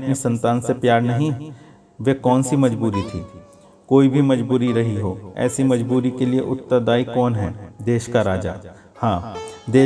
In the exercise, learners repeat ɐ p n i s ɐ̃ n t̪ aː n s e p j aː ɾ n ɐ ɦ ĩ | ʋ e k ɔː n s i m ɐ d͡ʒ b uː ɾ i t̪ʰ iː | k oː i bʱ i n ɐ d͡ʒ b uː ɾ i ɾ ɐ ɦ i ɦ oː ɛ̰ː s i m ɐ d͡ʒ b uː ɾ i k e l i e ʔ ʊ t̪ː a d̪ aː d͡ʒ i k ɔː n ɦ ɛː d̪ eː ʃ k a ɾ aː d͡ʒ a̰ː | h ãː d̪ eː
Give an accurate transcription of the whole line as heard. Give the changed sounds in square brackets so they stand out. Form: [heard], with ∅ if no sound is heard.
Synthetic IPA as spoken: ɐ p n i s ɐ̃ n t̪ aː n s e p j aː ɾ n ɐ ɦ ĩ | ʋ e k ɔː n s i m ɐ d͡ʒ b uː ɾ i t̪ʰ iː | k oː i bʱ i [m] ɐ d͡ʒ b uː ɾ i ɾ ɐ ɦ i ɦ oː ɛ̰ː s i m ɐ d͡ʒ b uː ɾ i k e l i e ʔ ʊ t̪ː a d̪ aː [∅] i k ɔː n ɦ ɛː d̪ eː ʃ k a ɾ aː d͡ʒ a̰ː | h ãː d̪ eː